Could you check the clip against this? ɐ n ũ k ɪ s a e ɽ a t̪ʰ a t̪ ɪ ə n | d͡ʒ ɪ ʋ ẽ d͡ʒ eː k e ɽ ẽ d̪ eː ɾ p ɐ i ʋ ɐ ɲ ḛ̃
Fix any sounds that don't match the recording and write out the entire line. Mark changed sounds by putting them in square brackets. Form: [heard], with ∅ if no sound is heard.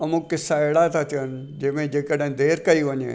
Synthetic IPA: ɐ [m] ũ k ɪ s a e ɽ a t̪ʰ a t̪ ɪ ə n | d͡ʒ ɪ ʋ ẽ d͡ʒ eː k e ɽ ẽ d̪ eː ɾ [k] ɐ i ʋ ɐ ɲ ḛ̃